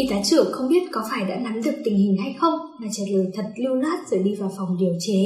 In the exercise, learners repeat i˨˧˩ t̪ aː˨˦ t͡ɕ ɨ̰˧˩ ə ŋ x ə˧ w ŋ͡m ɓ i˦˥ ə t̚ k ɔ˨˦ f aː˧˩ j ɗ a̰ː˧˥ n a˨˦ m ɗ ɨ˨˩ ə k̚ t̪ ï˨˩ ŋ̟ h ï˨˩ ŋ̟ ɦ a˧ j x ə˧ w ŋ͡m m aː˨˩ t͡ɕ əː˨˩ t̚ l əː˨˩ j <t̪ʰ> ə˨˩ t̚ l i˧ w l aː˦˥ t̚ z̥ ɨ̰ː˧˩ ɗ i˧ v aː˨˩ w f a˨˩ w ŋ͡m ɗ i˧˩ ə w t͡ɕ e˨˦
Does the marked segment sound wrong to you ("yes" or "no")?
no